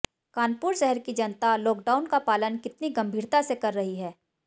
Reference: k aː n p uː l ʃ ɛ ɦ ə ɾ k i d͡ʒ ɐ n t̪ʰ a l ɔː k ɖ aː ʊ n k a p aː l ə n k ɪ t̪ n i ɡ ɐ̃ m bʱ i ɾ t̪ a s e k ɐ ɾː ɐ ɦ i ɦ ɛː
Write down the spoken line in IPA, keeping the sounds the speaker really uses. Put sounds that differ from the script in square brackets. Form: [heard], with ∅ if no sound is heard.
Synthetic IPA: k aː n p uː [ɾ] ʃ ɛ ɦ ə ɾ k i d͡ʒ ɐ n [t̪] a l ɔː k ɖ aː ʊ n k a p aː l ə n k ɪ t̪ n i ɡ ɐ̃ m bʱ [iː] ɾ t̪ a s e k ɐ ɾː ɐ ɦ i ɦ ɛː

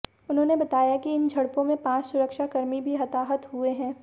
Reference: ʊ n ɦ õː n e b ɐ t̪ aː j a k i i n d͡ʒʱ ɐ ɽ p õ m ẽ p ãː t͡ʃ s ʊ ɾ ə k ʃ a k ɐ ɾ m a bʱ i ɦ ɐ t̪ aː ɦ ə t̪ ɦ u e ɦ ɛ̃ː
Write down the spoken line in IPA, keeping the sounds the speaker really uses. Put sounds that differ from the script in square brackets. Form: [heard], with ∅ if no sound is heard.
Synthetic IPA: ʊ n ɦ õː n e b ɐ t̪ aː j a k i [ɪ] n d͡ʒʱ ɐ ɽ p õ m ẽ p ãː t͡ʃ s ʊ ɾ ə k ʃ a k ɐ ɾ m [i] bʱ i ɦ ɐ t̪ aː ɦ ə t̪ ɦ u e ɦ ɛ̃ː

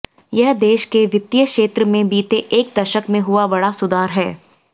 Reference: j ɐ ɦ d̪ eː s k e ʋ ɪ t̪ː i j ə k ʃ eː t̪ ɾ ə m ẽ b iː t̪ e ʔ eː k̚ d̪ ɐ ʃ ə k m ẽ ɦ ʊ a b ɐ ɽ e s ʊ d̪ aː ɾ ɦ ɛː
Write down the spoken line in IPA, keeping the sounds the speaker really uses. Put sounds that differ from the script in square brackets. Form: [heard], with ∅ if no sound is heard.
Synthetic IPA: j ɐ ɦ d̪ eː [ʃ] k e ʋ ɪ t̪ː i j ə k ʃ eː t̪ ɾ ə m ẽ b iː t̪ e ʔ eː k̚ d̪ ɐ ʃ ə k m ẽ ɦ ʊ a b ɐ ɽ [a] s ʊ d̪ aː ɾ ɦ ɛː

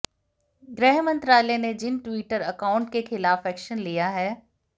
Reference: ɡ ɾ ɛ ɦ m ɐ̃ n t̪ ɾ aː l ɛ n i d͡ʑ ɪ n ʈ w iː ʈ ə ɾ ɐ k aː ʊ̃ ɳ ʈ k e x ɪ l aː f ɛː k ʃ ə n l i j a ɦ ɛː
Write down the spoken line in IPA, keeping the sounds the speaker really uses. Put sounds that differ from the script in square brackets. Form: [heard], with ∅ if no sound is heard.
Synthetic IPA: ɡ ɾ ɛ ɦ m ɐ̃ n t̪ ɾ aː l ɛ n [e] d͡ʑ ɪ n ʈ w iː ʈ ə ɾ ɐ k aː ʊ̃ ɳ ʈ k e x ɪ l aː f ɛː k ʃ ə n l i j a ɦ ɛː

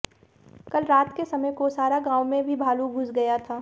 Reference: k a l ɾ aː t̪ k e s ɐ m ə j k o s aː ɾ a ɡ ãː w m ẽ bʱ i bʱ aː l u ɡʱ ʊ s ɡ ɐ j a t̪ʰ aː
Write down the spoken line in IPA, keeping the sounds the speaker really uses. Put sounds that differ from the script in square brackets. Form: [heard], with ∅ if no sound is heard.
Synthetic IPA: k [ɐ] l ɾ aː t̪ k e s ɐ m ə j k o s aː ɾ a ɡ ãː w m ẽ bʱ i bʱ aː l u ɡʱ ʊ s ɡ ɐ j a t̪ʰ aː

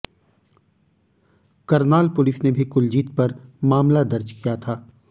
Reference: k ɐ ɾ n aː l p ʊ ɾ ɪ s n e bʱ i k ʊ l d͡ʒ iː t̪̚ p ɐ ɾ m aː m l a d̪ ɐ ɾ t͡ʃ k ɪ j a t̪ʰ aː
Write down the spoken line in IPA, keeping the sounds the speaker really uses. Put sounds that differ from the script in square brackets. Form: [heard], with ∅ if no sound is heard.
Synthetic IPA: k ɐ ɾ n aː l p ʊ [l] ɪ s n e bʱ i k ʊ l d͡ʒ iː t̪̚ p ɐ ɾ m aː m l a d̪ ɐ ɾ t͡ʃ k [i] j a t̪ʰ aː

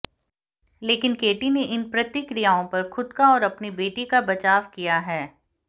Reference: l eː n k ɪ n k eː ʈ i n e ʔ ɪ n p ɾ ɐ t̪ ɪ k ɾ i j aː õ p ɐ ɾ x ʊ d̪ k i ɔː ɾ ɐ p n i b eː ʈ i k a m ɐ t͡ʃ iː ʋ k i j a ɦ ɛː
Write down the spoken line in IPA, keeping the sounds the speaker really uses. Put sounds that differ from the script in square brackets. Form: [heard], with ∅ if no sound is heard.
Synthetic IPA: l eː [∅] k ɪ n k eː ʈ i n e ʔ ɪ n p ɾ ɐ t̪ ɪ k ɾ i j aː õ p ɐ ɾ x ʊ d̪ k [a] ɔː ɾ ɐ p n i b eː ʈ i k a [b] ɐ t͡ʃ [aː] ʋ k i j a ɦ ɛː

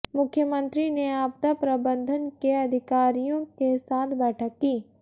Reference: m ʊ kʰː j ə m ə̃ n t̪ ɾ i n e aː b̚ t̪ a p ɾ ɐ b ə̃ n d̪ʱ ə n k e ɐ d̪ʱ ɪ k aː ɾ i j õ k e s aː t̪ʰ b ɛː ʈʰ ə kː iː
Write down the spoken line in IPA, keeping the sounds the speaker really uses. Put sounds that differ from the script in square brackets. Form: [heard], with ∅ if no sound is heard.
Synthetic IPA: m ʊ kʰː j ə m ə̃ n t̪ ɾ i n e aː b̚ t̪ a p ɾ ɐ b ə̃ n d̪ʱ ə n k e ɐ d̪ʱ ɪ k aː ɾ i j õ k e s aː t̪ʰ b ɛː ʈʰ ə kː iː

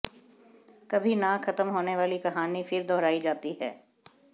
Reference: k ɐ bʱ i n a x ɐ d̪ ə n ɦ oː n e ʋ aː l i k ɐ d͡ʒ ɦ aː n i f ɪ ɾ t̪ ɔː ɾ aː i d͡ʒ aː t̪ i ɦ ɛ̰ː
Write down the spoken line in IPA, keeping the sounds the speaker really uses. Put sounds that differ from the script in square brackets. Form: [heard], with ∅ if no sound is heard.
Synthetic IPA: k ɐ bʱ i n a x ɐ [t̪] ə [m] ɦ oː n e ʋ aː l i k ɐ [∅] ɦ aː n i f ɪ ɾ [d̪] ɔː ɾ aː i d͡ʒ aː t̪ i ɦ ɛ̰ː

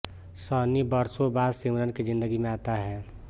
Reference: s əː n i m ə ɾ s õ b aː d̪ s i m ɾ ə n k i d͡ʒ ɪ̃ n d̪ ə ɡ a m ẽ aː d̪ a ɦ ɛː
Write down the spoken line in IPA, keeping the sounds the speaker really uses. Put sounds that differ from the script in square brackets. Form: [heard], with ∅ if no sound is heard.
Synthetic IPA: s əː n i [b] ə ɾ s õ b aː d̪ s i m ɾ ə n k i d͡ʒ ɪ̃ n d̪ ə ɡ [i] m ẽ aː [t̪] a ɦ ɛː

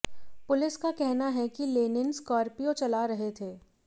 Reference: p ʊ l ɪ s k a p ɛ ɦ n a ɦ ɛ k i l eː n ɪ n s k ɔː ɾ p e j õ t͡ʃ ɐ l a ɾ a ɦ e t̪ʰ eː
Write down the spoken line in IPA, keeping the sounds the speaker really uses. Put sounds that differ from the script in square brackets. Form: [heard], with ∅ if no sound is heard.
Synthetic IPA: p ʊ l ɪ s k a [k] ɛ ɦ n a ɦ ɛ k i l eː n ɪ n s k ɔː ɾ p [i] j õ t͡ʃ ɐ l a ɾ [ɐ] ɦ e t̪ʰ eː

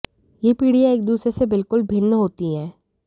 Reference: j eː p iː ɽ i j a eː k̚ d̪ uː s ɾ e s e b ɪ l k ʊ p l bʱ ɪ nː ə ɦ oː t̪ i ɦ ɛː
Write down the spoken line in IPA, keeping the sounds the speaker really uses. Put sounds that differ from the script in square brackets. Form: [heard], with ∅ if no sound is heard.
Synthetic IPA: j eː p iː ɽ i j a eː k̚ d̪ uː s ɾ e s e b ɪ l k ʊ [∅] l bʱ ɪ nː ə ɦ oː t̪ i ɦ ɛː

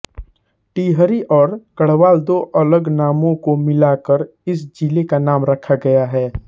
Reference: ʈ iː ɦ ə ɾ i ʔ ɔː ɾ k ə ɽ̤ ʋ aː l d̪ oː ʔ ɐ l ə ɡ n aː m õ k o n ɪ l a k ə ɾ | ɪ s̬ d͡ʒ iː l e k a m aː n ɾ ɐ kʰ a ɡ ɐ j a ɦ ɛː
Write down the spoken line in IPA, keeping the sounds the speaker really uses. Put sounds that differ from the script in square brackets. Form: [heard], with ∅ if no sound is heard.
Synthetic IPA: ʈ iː ɦ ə ɾ i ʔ ɔː ɾ k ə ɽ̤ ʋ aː l d̪ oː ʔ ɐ l ə ɡ n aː m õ k o [m] ɪ l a k ə ɾ | ɪ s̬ d͡ʒ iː l e k a [n] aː [m] ɾ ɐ kʰ a ɡ ɐ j a ɦ ɛː

